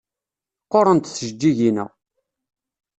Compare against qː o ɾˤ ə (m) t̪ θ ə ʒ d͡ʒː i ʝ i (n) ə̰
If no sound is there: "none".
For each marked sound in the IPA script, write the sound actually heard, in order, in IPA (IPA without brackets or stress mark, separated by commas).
n, n